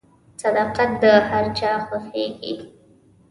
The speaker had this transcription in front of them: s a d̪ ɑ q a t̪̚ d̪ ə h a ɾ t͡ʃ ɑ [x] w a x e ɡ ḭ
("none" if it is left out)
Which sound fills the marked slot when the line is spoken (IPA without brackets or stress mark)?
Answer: x